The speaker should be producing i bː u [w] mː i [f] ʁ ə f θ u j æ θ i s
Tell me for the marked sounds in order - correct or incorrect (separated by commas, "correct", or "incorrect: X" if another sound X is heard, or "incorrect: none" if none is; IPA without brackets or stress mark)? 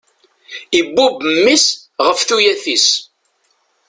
incorrect: b, incorrect: s